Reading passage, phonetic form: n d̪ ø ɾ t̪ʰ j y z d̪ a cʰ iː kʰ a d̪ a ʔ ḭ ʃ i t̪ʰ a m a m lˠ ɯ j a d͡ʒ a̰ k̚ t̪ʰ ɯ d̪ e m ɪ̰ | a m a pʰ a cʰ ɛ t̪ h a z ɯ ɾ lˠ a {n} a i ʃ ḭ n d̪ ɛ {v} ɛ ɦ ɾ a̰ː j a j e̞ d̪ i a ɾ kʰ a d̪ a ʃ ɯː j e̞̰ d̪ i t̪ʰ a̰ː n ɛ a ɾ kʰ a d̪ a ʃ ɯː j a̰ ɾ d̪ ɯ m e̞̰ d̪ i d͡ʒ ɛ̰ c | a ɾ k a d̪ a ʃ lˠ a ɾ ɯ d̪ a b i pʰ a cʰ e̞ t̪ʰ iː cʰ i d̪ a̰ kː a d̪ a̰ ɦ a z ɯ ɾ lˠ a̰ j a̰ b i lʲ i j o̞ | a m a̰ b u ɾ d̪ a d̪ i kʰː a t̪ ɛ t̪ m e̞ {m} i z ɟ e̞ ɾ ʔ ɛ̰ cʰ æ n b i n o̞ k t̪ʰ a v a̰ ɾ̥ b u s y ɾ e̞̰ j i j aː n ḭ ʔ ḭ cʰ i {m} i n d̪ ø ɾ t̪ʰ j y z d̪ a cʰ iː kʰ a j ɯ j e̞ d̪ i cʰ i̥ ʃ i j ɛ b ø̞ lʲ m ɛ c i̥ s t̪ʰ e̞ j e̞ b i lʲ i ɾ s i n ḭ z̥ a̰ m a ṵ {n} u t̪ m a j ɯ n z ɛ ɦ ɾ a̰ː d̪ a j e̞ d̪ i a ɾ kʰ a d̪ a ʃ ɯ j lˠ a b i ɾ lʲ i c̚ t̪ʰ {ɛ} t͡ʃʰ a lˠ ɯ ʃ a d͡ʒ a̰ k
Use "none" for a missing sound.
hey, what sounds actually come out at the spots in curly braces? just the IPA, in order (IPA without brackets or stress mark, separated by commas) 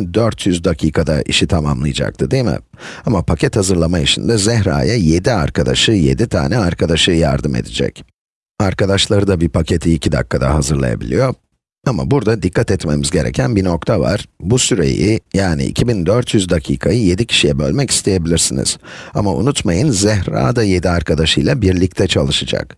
m, z, m, b, n, ɛ